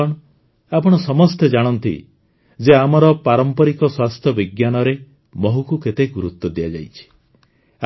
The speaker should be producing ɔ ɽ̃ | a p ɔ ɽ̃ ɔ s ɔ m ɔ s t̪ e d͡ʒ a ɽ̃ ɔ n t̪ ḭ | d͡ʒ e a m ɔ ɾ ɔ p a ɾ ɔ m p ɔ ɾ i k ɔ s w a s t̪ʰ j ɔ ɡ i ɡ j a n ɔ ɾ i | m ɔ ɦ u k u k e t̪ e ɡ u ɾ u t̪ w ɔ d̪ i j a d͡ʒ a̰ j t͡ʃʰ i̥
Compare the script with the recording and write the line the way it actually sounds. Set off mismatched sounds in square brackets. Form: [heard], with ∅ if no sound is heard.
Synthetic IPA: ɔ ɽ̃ | a p ɔ ɽ̃ ɔ s ɔ m ɔ s t̪ e d͡ʒ a ɽ̃ ɔ n t̪ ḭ | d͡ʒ e a m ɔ ɾ ɔ p a ɾ ɔ m p ɔ ɾ i k ɔ s w a s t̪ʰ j ɔ [b] i ɡ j a n ɔ ɾ [e] | m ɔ ɦ u k u k e t̪ e ɡ u ɾ u t̪ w ɔ d̪ i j a d͡ʒ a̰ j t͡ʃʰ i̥